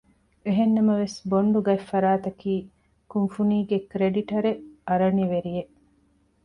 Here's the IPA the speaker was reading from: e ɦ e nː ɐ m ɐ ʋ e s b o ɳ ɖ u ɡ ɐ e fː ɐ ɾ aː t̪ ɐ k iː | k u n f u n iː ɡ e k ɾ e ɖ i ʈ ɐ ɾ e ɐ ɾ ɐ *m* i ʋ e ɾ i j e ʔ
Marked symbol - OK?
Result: no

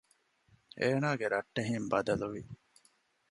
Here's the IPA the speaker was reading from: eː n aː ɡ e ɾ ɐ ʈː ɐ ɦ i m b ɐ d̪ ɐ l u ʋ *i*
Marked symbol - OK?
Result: yes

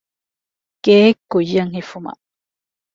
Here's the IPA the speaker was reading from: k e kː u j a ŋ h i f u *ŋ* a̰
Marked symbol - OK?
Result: no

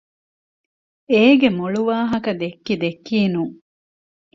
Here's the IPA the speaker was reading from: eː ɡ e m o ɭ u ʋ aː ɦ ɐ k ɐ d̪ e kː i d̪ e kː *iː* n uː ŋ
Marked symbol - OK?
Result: yes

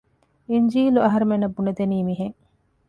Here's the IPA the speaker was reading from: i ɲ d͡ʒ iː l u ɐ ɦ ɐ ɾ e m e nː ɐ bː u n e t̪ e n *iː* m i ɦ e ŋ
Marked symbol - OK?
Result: yes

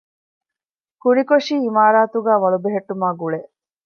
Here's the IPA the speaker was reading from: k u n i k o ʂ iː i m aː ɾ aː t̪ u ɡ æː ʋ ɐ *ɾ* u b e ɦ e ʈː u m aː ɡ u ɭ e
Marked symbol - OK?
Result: no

